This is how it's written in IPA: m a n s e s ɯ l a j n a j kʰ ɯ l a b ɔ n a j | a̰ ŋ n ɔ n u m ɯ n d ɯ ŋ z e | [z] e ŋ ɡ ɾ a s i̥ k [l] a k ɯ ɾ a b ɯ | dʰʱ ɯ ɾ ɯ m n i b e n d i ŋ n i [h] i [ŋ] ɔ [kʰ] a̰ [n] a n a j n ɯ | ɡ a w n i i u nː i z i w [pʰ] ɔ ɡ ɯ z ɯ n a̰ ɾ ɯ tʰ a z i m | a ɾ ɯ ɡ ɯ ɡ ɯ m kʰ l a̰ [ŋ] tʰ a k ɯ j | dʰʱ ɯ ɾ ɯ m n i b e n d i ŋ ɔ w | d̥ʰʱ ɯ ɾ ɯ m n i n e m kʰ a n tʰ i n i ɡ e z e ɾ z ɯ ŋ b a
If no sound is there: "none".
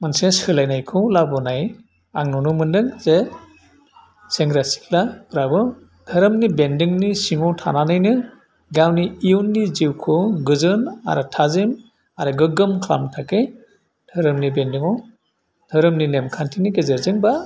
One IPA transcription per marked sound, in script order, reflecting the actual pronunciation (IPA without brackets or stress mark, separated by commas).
s, l, s, ŋ, tʰ, n, kʰ, m